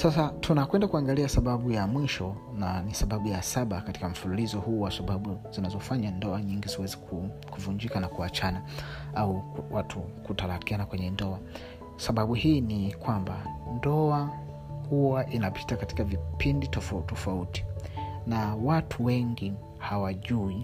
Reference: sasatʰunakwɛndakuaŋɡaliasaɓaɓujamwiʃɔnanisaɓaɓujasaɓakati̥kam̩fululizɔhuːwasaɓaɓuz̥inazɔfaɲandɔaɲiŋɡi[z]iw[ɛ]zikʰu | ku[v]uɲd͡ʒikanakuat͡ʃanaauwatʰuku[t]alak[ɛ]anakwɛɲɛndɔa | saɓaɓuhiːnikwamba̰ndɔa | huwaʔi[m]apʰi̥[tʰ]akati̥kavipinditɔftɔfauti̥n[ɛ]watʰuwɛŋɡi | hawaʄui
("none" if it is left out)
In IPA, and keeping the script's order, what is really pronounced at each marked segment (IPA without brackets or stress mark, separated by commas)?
z, ɛ, v, t, i, n, t, a